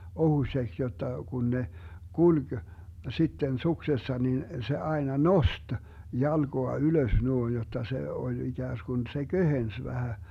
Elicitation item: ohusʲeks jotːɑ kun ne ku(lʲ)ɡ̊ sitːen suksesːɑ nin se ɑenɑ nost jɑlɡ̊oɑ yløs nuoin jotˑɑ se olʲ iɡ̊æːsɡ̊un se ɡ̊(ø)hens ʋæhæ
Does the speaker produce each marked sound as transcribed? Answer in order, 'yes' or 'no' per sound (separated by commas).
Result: yes, yes